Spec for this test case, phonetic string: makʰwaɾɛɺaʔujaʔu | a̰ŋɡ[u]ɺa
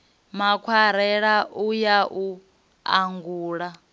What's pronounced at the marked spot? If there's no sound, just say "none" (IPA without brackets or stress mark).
uː